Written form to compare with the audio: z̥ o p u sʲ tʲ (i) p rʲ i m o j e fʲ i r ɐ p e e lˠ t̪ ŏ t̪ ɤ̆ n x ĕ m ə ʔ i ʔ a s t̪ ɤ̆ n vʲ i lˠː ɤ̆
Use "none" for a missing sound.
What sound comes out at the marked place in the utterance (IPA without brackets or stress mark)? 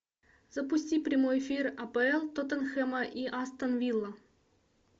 i